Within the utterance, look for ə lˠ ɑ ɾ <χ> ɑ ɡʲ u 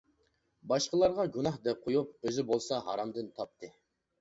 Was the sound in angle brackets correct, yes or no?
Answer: no